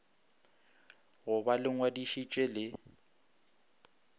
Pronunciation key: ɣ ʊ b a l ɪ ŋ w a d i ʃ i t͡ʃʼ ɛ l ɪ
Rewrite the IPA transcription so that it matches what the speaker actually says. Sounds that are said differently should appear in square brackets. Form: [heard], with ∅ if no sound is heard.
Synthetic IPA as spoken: ɣ ʊ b a l ɪ ŋ w a d i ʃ i t͡ʃʼ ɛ l ɪ